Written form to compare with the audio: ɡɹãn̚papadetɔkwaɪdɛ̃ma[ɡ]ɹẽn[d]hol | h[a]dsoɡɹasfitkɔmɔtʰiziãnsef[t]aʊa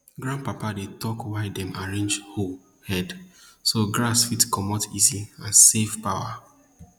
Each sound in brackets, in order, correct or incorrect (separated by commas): incorrect, incorrect, incorrect, incorrect